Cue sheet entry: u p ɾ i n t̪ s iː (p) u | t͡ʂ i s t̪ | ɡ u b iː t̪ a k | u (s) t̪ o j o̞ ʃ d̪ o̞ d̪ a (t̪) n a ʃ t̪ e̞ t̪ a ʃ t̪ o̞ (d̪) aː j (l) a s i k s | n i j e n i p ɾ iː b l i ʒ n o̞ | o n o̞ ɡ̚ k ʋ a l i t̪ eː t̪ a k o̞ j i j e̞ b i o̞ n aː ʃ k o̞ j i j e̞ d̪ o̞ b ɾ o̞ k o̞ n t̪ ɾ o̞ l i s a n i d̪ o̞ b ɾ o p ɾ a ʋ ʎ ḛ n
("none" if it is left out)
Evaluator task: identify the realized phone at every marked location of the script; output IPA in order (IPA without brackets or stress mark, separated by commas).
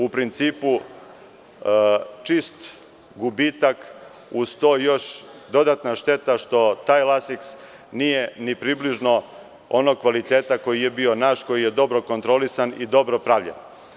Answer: p, s, t̪, t̪, l